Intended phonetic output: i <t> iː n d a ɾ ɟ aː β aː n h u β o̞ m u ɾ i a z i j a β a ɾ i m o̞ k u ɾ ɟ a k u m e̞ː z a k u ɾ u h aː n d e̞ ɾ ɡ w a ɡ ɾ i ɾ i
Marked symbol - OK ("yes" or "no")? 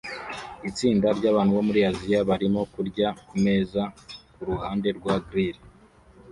no